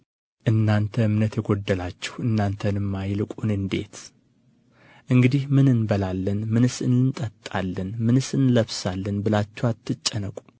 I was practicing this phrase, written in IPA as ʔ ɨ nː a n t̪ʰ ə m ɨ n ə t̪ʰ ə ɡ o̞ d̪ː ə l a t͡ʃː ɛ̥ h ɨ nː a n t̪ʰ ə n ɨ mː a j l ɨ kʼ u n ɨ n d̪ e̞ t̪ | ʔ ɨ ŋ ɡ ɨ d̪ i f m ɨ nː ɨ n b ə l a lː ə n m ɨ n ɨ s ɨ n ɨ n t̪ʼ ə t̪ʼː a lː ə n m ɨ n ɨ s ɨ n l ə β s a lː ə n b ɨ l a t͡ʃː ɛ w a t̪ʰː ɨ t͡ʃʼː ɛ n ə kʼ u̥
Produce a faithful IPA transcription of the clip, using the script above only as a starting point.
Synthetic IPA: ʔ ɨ nː a n t̪ʰ ə m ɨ n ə t̪ʰ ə ɡ o̞ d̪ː ə l a t͡ʃː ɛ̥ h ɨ nː a n t̪ʰ ə n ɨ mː a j l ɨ kʼ u n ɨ n d̪ e̞ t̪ | ʔ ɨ ŋ ɡ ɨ d̪ i h m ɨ n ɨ n b ə l a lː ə n m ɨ n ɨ s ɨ n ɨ n t̪ʼ ə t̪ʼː a lː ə n m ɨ n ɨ s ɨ n l ə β s a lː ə n b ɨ l a t͡ʃː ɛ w a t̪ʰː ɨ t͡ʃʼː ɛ n ə kʼ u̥